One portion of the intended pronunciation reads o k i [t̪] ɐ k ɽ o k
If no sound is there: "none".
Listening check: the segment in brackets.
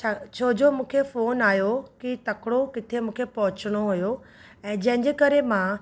t̪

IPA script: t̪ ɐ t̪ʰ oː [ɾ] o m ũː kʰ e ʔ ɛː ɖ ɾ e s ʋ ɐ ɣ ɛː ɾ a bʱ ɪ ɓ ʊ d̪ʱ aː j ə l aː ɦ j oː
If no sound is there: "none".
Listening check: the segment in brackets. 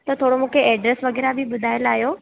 ɽ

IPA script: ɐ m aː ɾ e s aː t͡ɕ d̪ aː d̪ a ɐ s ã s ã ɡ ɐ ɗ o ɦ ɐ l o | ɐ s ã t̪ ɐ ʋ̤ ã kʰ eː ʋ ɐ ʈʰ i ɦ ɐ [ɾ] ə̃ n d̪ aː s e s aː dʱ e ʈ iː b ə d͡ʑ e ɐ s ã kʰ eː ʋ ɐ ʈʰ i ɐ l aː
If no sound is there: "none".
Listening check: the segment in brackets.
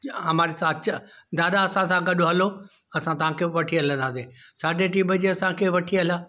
l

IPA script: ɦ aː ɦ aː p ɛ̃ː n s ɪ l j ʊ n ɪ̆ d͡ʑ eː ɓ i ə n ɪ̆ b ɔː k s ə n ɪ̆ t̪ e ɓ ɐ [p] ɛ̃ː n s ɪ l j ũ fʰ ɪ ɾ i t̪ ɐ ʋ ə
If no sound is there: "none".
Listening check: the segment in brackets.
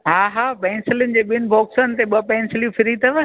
p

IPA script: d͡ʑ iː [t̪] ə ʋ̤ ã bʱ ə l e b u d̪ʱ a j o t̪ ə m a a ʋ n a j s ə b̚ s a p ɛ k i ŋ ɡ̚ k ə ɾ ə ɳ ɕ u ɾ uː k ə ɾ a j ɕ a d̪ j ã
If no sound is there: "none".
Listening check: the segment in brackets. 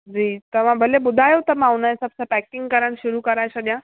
t̪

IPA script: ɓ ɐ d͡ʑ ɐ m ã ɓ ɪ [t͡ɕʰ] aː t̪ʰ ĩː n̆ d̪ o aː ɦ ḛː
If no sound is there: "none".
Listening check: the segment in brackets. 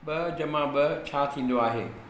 t͡ɕʰ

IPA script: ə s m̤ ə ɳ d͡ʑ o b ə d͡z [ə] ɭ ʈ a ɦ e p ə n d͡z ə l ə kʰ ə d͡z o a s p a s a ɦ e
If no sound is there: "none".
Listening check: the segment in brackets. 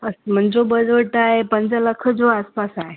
ə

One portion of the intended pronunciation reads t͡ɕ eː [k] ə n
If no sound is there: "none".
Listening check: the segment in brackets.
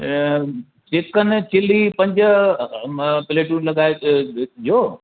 k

